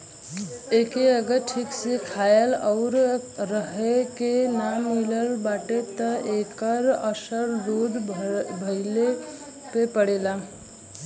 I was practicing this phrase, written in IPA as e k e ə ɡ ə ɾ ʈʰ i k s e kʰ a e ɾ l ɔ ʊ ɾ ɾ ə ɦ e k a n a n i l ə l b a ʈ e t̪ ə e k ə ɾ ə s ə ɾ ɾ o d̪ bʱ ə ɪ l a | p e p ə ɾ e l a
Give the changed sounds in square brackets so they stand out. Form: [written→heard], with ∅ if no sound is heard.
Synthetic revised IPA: e k e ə ɡ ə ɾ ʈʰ i k s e kʰ a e [ɾ→∅] l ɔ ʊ ɾ ɾ ə ɦ e k [a→e] n a [n→m] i l ə l b a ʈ e t̪ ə e k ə ɾ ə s ə ɾ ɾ o d̪ bʱ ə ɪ l [a→e] | p e p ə [ɾ→ɽ] e l a